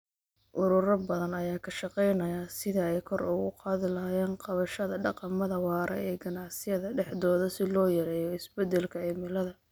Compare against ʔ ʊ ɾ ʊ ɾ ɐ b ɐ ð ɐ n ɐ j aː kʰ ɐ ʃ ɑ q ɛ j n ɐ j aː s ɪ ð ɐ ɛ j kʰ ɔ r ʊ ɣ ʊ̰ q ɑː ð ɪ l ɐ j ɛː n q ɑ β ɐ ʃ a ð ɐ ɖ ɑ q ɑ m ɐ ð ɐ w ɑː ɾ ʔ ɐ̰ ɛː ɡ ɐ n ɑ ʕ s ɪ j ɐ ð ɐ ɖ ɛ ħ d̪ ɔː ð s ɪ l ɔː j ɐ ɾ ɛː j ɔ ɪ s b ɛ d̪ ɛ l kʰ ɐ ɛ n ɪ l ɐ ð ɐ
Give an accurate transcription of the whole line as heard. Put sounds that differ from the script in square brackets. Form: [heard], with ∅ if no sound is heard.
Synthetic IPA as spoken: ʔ ʊ ɾ ʊ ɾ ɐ b ɐ ð ɐ n ɐ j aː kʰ ɐ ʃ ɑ q ɛ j n ɐ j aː s ɪ ð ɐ ɛ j kʰ ɔ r ʊ ɣ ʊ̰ q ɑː ð ɪ l ɐ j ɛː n q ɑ β ɐ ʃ [ɐ] ð ɐ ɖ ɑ q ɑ m ɐ ð ɐ w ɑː ɾ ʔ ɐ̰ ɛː ɡ ɐ n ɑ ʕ s ɪ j ɐ ð ɐ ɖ ɛ ħ d̪ ɔː ð s ɪ l ɔː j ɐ ɾ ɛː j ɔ ɪ s b ɛ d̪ ɛ l kʰ ɐ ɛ [m] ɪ l ɐ ð ɐ